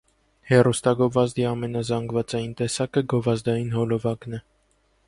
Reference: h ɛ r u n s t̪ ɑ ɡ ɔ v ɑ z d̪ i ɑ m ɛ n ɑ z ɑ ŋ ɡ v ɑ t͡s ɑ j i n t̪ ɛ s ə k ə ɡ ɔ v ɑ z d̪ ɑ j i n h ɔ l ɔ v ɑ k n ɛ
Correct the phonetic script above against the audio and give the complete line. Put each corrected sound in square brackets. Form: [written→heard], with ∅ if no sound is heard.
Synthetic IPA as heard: h ɛ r u [n→∅] s t̪ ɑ ɡ ɔ v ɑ z d̪ i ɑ m ɛ n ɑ z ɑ ŋ ɡ v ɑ t͡s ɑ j i n t̪ ɛ s [ə→ɑ] k ə ɡ ɔ v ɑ z d̪ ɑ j i n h ɔ l ɔ v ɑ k n ɛ